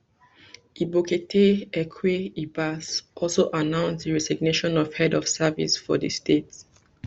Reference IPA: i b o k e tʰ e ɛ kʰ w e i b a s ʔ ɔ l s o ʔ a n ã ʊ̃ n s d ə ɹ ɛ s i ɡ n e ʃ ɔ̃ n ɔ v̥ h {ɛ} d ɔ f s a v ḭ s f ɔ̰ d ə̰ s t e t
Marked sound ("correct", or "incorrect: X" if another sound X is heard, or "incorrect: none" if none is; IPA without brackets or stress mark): correct